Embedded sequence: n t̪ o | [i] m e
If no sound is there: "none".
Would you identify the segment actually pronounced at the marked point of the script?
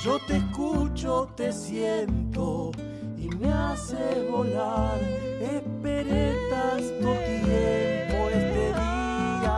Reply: i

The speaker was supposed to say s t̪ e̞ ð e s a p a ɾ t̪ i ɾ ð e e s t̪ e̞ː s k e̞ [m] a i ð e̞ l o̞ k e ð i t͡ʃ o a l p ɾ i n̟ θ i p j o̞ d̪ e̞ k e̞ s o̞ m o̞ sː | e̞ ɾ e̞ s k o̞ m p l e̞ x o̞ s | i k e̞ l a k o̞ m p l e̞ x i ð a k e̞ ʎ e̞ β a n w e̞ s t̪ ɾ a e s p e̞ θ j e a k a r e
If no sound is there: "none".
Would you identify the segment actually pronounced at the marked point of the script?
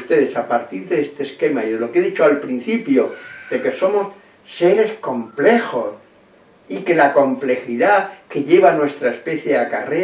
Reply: m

